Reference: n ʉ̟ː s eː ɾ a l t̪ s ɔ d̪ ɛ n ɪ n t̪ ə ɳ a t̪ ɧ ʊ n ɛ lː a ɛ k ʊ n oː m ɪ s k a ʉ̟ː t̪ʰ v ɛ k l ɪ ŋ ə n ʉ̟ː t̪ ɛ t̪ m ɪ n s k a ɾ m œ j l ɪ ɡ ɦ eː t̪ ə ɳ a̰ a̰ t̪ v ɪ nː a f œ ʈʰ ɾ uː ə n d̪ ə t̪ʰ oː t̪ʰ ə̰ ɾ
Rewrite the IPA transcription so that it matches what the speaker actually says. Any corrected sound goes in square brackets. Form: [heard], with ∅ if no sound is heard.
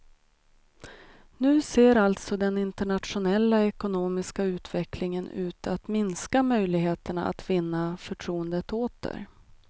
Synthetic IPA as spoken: n ʉ̟ː s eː ɾ a l t̪ s ɔ d̪ ɛ n ɪ n t̪ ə ɳ a t̪ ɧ ʊ n ɛ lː a ɛ k ʊ n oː m ɪ s k a ʉ̟ː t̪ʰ v ɛ k l ɪ ŋ ə n ʉ̟ː t̪ [a] t̪ m ɪ n s k a [∅] m œ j l ɪ ɡ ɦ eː t̪ ə ɳ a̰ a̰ t̪ v ɪ nː a f œ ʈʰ ɾ uː ə n d̪ ə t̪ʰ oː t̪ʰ ə̰ ɾ